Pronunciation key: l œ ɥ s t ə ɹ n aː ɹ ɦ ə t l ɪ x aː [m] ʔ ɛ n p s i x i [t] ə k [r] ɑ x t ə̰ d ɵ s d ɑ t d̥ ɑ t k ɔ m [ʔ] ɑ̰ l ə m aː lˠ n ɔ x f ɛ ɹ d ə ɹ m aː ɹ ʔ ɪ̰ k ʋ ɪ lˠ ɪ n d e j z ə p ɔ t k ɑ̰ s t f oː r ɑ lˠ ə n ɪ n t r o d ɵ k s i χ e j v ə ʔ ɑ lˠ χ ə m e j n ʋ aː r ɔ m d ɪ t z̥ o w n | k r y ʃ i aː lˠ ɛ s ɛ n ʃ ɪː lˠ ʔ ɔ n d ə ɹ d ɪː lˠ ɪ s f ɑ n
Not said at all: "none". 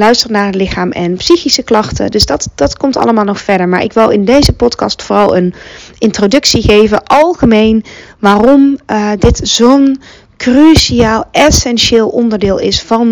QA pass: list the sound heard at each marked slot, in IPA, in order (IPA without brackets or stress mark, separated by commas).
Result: m, s, l, t